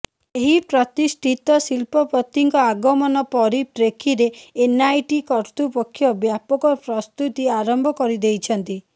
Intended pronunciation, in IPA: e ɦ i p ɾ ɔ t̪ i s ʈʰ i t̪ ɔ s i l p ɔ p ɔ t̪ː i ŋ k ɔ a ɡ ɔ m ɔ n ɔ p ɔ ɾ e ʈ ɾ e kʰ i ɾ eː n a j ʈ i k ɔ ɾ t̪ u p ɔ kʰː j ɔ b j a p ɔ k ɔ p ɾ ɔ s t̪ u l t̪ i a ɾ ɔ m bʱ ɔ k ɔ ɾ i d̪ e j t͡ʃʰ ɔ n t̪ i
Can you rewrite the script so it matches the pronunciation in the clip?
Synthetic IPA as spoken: e ɦ i p ɾ ɔ t̪ i s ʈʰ i t̪ ɔ s i l p ɔ p ɔ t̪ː i ŋ k ɔ a ɡ ɔ m ɔ n ɔ p ɔ ɾ i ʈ ɾ e kʰ i ɾ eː n a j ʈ i k ɔ ɾ t̪ u p ɔ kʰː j ɔ b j a p ɔ k ɔ p ɾ ɔ s t̪ u t̪ i a ɾ ɔ m bʱ ɔ k ɔ ɾ i d̪ e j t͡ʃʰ ɔ n t̪ i